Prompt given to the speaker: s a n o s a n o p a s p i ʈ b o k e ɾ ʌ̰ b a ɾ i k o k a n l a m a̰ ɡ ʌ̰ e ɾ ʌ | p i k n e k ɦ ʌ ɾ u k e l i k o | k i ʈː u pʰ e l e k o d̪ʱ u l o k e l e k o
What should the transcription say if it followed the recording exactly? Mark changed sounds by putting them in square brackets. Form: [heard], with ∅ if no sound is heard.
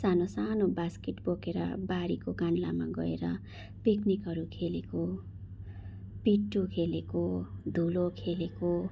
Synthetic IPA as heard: s a n o s a n o [b] a s [k] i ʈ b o k e ɾ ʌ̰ b a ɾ i k o k a n l a m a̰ ɡ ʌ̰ e ɾ ʌ | p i k n [i] k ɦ ʌ ɾ u [kʰ] e l [e] k o | [p] i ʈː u [kʰ] e l e k o d̪ʱ u l o [kʰ] e l e k o